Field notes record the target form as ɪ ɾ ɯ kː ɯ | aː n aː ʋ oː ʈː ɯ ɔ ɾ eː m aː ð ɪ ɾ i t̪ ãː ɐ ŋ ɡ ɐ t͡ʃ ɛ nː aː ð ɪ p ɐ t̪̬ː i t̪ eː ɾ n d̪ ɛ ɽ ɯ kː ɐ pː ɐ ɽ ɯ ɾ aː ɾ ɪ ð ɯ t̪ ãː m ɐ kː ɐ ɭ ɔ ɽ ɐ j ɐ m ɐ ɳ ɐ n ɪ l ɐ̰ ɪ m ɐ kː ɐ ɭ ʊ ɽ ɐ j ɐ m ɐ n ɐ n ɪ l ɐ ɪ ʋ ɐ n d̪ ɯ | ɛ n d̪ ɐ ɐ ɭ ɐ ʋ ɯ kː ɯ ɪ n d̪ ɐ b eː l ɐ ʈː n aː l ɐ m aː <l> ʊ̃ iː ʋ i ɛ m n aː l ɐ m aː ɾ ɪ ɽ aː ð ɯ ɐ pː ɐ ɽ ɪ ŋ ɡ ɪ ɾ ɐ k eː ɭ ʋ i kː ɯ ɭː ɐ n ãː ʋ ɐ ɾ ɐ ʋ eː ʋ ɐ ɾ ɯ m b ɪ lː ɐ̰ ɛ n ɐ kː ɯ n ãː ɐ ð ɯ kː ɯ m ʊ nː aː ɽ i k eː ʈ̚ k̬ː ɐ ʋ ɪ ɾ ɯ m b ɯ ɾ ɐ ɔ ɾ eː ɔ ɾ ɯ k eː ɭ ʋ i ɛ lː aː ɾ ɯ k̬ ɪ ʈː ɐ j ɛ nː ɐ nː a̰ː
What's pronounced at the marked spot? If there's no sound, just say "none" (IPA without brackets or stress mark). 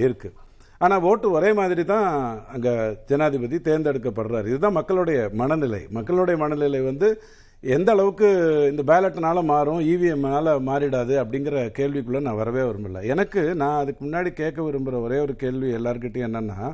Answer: ɾ